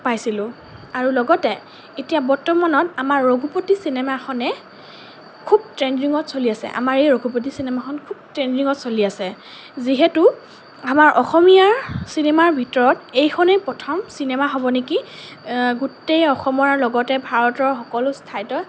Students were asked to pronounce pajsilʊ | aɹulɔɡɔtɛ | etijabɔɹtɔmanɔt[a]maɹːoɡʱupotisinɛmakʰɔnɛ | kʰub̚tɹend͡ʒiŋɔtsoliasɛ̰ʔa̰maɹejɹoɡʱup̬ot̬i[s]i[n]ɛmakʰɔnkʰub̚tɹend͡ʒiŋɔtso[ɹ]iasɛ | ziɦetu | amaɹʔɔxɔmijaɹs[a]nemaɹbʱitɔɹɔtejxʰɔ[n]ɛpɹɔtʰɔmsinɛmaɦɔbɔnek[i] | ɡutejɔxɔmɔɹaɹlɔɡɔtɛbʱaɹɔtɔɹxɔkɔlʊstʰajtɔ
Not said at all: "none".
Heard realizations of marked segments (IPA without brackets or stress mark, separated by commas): a, s, n, l, i, n, i